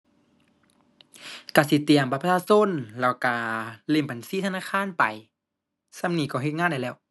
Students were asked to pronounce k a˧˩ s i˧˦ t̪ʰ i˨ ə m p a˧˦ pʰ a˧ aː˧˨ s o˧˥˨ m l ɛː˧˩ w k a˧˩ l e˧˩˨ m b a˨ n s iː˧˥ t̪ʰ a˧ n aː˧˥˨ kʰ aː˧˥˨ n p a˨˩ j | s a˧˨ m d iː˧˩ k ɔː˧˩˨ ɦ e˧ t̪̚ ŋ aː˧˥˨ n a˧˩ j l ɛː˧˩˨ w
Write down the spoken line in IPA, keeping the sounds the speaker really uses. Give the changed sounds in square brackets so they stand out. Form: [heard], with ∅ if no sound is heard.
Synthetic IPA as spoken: k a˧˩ s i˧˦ [t̪] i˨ ə m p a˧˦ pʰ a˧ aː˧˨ s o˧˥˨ [n] l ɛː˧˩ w k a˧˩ l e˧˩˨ m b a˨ n s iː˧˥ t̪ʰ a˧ n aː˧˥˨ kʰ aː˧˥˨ n p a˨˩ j | s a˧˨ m [n] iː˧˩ k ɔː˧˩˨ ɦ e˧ t̪̚ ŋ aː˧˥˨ [d] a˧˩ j l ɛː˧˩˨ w

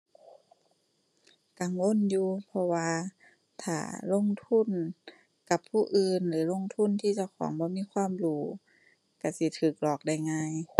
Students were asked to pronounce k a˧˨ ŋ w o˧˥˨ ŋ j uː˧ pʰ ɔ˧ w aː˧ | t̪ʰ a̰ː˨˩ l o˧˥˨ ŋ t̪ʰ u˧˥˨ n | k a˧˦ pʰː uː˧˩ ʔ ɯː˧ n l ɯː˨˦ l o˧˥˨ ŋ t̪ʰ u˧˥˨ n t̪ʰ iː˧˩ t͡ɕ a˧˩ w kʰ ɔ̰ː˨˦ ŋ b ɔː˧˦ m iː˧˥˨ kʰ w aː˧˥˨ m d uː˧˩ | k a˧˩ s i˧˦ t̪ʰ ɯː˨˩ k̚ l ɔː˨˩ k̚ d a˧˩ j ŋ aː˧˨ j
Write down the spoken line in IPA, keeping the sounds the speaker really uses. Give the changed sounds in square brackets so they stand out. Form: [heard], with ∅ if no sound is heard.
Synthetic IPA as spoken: k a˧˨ ŋ w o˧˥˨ [n] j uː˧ pʰ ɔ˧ w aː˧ | t̪ʰ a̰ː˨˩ l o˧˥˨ ŋ t̪ʰ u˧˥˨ n | k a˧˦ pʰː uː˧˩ ʔ ɯː˧ n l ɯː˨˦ l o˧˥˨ ŋ t̪ʰ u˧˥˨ n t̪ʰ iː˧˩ t͡ɕ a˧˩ w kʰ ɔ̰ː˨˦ ŋ b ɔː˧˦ m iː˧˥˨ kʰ w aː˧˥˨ m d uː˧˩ | k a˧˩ s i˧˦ t̪ʰ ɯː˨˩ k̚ l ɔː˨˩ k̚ d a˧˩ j ŋ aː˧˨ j

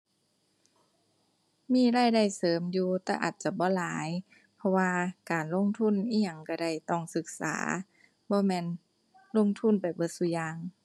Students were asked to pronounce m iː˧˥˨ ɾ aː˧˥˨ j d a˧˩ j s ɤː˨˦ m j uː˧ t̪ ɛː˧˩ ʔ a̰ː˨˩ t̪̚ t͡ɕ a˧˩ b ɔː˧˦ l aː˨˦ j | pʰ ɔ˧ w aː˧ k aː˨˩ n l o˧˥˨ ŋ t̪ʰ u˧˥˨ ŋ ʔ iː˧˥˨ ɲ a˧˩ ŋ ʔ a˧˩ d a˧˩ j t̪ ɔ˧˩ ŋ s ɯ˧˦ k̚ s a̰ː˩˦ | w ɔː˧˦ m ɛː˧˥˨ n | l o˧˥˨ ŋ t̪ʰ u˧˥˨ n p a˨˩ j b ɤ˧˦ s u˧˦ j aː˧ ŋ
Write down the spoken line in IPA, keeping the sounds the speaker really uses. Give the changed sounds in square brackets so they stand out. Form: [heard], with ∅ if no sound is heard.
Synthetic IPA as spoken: m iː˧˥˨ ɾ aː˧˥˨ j d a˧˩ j s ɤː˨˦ m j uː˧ t̪ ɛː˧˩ ʔ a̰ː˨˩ t̪̚ t͡ɕ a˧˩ b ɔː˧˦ l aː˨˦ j | pʰ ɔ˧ w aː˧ k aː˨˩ n l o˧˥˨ ŋ t̪ʰ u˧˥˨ [n] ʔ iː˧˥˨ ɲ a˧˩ ŋ [k] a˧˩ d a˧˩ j t̪ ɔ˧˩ ŋ s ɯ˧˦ k̚ s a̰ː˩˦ | [b] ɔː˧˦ m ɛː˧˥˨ n | l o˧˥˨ ŋ t̪ʰ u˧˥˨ n p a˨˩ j b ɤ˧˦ s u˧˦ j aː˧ ŋ

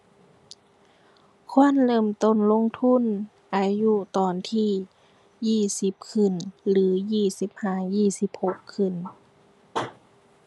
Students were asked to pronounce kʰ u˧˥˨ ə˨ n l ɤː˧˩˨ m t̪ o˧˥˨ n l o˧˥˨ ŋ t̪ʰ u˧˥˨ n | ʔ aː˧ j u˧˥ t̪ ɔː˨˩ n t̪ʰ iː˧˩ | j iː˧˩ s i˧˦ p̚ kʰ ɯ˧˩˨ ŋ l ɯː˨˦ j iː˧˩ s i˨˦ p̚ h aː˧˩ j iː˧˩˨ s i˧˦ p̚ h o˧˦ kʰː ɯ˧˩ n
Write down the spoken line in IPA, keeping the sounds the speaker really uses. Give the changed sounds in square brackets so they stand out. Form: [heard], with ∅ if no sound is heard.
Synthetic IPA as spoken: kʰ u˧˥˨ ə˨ n l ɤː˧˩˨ m t̪ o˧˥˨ n l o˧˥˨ ŋ t̪ʰ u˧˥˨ n | ʔ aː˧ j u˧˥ t̪ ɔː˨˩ n t̪ʰ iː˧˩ | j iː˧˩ s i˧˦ p̚ kʰ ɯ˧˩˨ [n] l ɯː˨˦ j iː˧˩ s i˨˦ p̚ h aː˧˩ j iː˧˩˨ s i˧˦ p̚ h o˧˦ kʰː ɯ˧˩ n

